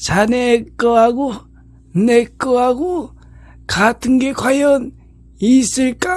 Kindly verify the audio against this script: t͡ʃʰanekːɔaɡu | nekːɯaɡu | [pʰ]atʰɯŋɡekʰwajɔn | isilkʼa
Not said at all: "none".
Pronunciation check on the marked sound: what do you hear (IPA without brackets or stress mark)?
kʰ